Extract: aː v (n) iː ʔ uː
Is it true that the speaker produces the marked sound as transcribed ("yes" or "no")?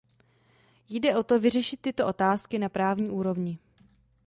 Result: no